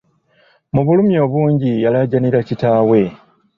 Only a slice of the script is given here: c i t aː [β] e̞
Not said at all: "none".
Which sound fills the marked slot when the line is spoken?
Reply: w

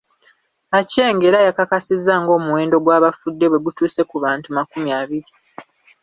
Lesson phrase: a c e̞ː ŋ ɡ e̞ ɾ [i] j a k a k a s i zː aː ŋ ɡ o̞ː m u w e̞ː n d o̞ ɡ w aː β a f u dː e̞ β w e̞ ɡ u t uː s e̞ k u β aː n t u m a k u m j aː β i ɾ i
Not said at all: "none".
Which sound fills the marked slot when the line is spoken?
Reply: a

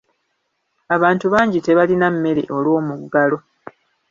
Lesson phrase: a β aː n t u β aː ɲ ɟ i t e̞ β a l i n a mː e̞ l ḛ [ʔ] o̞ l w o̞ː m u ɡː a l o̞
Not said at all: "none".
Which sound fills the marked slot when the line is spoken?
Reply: ʔ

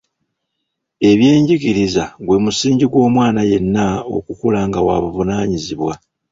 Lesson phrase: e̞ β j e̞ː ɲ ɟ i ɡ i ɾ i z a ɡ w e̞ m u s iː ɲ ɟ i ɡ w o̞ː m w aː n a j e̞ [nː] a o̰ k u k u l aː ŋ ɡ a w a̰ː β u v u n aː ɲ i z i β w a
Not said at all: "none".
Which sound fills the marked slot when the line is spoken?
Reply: nː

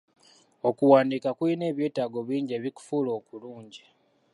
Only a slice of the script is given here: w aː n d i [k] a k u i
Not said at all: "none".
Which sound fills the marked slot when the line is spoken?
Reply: k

